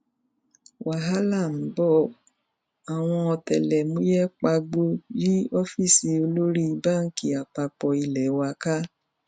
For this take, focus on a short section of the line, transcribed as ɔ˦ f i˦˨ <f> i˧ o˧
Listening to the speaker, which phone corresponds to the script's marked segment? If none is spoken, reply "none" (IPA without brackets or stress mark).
s